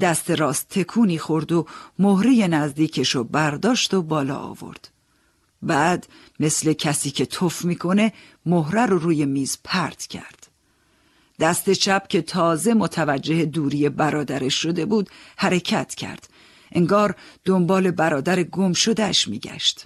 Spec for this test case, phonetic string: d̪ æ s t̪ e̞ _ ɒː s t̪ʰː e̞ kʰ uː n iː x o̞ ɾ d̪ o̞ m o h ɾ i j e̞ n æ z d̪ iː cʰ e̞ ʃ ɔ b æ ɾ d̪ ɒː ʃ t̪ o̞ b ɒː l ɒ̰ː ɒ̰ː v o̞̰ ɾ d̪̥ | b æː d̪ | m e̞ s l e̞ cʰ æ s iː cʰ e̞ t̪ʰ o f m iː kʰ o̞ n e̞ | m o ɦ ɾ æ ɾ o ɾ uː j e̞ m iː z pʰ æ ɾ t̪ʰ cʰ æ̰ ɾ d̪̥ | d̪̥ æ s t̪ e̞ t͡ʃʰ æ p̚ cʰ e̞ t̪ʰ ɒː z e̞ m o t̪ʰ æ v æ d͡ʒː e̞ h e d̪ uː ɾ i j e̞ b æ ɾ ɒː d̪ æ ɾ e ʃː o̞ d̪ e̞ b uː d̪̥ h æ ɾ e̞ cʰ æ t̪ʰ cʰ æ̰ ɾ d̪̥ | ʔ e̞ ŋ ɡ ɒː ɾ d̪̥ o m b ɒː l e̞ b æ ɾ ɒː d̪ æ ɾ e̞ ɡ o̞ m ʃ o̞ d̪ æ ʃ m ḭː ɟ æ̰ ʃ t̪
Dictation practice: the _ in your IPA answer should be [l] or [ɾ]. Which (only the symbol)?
ɾ